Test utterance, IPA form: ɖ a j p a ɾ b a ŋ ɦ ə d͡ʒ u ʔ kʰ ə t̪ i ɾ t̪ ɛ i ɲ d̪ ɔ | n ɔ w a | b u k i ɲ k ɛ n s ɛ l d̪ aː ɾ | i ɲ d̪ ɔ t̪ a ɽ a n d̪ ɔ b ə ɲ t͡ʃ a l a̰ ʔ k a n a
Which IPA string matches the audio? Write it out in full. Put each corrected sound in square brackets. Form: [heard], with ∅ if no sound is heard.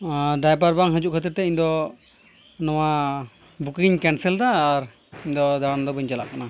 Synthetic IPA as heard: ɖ a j p a ɾ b a ŋ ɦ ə d͡ʒ u ʔ kʰ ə t̪ i ɾ t̪ ɛ i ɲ d̪ ɔ | n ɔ w a | b u k i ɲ k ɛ n s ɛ l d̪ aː ɾ | i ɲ d̪ ɔ [d̪] a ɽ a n d̪ ɔ b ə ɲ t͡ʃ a l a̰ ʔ k a n a